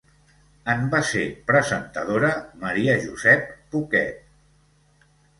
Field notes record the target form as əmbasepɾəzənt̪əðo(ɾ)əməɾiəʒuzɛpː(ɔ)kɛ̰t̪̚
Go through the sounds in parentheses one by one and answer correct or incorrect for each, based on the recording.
correct, incorrect

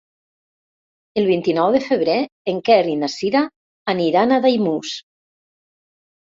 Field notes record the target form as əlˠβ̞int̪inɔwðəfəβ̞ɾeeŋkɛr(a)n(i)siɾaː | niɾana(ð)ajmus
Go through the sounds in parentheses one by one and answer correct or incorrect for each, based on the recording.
incorrect, incorrect, correct

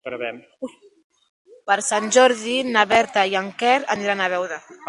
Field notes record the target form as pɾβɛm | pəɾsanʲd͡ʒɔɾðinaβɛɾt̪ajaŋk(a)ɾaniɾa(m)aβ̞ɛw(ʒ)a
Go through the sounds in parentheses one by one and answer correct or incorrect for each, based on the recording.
incorrect, incorrect, incorrect

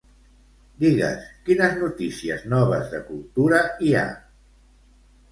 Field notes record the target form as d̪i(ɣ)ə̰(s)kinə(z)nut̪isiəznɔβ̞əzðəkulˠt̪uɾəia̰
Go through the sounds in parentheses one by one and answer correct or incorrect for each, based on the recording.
correct, correct, correct

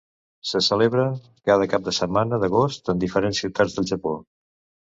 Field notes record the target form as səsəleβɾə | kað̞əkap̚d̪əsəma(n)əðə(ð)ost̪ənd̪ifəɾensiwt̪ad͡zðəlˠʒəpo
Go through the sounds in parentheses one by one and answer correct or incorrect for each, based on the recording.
correct, incorrect

